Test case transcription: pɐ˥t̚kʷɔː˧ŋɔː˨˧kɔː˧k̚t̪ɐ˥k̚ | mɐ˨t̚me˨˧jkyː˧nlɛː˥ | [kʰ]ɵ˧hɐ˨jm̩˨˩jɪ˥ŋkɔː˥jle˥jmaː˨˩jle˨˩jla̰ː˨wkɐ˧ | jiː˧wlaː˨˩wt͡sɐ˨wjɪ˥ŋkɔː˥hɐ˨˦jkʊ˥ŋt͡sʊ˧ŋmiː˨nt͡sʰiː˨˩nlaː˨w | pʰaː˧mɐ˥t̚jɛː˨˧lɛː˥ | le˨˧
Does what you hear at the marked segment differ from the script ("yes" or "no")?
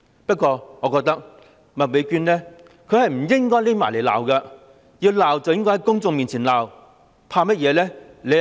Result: no